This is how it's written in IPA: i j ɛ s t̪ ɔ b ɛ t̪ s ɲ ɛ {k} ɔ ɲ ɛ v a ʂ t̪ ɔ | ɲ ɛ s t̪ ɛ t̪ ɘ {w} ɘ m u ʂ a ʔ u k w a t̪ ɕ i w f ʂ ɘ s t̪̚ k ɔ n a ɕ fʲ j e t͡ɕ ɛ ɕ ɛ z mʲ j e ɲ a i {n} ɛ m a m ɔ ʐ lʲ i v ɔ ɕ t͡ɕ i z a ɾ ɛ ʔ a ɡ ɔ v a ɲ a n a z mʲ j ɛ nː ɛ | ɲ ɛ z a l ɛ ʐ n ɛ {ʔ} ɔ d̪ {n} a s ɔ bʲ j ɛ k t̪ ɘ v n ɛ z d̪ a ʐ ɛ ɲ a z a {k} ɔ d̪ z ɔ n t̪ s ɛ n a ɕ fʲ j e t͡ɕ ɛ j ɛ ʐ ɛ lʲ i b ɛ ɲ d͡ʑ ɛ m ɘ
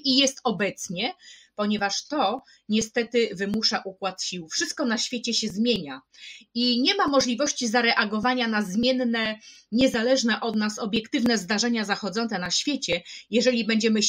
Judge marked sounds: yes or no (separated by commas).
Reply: no, no, no, yes, yes, no